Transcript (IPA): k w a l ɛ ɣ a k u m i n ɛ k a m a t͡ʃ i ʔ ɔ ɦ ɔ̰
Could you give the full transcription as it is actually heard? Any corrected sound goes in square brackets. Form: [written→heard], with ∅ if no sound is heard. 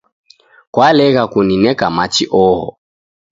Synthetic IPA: k w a l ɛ ɣ a k u [m→n] i n ɛ k a m a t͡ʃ i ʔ ɔ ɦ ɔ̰